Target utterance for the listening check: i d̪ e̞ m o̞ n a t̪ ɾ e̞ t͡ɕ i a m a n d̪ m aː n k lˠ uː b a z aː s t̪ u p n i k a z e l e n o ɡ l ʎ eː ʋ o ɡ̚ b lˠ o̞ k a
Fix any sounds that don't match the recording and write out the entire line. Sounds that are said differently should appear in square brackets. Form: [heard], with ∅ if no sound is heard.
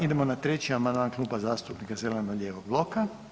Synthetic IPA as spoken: i d̪ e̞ m o̞ n a t̪ ɾ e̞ t͡ɕ i a m a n d̪ m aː n k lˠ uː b a z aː s t̪ u p n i k a z e l e n o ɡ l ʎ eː ʋ o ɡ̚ b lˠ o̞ k a